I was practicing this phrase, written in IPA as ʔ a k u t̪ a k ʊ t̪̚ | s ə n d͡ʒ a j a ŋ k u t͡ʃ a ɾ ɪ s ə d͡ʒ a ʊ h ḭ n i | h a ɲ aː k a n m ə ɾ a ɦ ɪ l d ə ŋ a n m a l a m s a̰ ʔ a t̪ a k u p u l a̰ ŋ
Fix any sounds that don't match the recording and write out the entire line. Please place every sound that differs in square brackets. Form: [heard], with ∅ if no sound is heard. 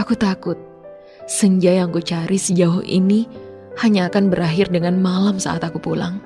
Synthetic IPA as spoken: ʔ a k u t̪ a k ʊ t̪̚ | s ə [ɲ] d͡ʒ a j a ŋ k u t͡ʃ a ɾ [i] s ə d͡ʒ a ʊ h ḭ n i | h a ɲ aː k a n [b] ə ɾ a ɦ ɪ [r] d ə ŋ a n m a l a m s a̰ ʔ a t̪ a k u p u l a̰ ŋ